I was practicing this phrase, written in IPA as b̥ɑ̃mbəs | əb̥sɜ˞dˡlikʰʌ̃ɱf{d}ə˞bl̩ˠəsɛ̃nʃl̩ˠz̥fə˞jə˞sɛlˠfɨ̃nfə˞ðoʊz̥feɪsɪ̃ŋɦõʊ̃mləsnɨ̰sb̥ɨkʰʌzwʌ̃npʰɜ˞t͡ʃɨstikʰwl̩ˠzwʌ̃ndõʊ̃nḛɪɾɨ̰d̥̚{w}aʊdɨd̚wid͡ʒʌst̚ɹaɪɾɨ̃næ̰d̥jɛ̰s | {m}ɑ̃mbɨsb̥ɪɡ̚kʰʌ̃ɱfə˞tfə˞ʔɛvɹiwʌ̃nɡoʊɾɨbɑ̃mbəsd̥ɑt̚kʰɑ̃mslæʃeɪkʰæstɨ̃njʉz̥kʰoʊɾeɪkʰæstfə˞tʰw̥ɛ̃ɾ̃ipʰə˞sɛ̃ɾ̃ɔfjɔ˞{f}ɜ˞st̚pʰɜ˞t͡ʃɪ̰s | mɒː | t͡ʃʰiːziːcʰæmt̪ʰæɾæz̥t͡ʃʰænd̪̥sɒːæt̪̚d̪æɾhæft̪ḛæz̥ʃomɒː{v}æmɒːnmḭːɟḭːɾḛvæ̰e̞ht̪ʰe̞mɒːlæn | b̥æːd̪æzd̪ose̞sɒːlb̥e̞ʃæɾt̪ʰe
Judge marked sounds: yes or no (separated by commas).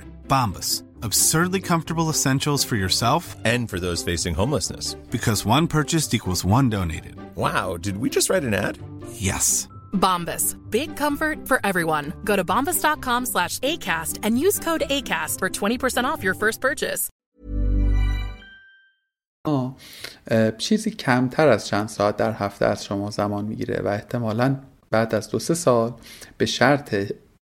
no, yes, no, yes, no